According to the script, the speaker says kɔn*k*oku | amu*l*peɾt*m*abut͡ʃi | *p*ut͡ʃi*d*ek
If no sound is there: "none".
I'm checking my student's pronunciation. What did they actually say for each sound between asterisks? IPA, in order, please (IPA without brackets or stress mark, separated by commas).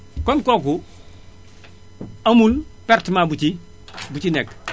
k, l, m, b, n